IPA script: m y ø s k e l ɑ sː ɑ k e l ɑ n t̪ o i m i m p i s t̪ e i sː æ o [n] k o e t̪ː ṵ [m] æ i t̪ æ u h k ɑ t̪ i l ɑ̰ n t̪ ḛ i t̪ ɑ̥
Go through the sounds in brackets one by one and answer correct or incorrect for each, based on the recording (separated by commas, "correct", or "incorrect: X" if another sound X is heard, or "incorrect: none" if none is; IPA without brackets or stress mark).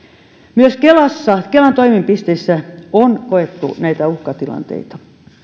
correct, incorrect: n